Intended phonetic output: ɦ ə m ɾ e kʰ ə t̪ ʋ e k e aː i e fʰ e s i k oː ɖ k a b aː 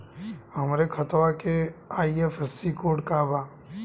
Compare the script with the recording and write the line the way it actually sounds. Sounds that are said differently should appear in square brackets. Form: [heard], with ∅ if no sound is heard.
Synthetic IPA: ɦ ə m ɾ e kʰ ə t̪ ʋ [a] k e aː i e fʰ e s i k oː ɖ k a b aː